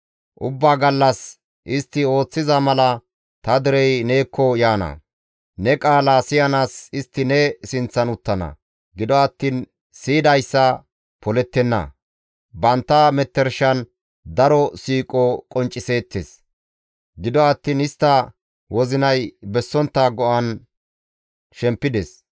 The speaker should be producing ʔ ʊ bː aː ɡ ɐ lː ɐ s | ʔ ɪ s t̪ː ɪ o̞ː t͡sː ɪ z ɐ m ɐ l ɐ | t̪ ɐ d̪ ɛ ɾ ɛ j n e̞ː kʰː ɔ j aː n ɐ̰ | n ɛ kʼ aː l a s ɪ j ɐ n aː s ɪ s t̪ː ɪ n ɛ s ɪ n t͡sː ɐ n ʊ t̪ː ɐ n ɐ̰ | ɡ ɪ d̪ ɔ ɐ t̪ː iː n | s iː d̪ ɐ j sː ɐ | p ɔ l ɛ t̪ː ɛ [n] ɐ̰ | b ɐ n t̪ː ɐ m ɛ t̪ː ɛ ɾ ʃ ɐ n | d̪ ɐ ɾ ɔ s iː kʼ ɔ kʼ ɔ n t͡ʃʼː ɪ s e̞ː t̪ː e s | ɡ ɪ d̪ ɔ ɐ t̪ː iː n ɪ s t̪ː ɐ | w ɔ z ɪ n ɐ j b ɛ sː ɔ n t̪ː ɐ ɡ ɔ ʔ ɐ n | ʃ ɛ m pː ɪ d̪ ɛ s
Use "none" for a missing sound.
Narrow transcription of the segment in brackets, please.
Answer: nː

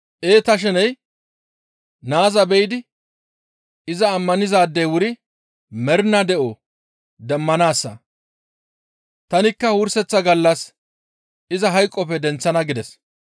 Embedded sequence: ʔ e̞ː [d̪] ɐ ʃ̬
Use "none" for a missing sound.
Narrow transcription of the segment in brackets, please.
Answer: t̪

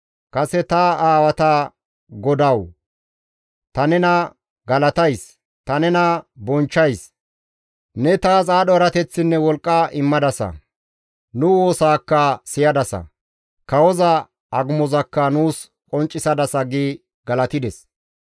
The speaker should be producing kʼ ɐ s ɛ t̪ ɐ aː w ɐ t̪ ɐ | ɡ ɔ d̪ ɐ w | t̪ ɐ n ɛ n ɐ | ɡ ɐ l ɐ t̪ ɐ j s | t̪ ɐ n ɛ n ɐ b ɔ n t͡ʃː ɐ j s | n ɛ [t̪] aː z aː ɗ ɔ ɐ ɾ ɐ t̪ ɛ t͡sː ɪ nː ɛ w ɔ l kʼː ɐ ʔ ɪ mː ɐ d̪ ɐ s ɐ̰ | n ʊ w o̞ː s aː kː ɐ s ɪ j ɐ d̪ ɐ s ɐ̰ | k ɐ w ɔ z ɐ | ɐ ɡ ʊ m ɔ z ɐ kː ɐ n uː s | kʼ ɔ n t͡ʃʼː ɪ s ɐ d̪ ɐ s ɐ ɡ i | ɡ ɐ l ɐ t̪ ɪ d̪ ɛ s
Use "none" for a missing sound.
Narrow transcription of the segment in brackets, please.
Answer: t̪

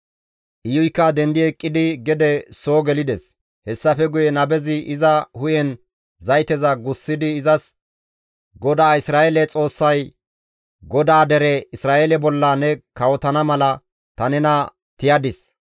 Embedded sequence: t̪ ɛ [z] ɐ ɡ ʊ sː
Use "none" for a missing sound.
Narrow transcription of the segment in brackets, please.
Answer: z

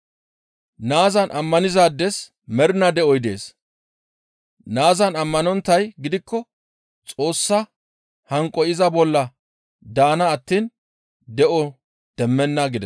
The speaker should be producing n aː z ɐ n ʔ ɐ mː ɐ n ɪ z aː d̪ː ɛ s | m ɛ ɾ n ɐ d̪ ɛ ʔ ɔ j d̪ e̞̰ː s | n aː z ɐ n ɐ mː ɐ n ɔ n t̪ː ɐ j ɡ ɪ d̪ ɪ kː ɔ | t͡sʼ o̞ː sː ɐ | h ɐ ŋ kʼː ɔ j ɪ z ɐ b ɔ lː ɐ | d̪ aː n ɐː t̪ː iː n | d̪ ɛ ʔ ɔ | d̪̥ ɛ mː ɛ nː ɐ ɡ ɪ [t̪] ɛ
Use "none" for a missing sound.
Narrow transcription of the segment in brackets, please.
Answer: d̪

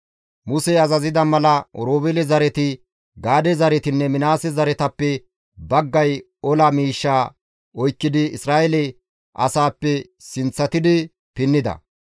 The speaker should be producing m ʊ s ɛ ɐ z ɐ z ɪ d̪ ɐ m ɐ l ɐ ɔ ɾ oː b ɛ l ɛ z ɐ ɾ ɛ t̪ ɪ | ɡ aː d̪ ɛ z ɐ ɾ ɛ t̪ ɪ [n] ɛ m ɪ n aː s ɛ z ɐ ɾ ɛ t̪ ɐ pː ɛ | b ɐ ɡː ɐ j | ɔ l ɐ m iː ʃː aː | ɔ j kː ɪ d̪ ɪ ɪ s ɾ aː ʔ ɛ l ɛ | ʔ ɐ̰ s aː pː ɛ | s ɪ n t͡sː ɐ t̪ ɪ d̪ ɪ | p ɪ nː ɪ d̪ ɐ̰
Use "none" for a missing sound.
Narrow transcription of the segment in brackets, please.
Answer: nː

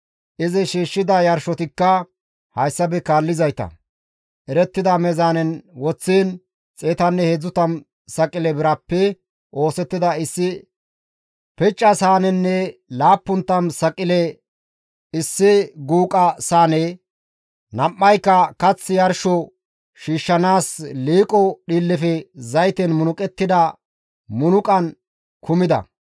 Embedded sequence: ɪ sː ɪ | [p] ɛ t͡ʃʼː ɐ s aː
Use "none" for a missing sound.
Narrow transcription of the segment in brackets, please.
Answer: p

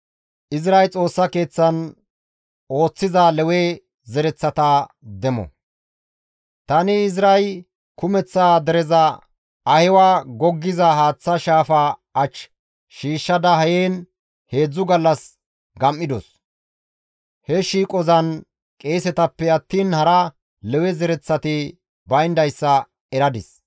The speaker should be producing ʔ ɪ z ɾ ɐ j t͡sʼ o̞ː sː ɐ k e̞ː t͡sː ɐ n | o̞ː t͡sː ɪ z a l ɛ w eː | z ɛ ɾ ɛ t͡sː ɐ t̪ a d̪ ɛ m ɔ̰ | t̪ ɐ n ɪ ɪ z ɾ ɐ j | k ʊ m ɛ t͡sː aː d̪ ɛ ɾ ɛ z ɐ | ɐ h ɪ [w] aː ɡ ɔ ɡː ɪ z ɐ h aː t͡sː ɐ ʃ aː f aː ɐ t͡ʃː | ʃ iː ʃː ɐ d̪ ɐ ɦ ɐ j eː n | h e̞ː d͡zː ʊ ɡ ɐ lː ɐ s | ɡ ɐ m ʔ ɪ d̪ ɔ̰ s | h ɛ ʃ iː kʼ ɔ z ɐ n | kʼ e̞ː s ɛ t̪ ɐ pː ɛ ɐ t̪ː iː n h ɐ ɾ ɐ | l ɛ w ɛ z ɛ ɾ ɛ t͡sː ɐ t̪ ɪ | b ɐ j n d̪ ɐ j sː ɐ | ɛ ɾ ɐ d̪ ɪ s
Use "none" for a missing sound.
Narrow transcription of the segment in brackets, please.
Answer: w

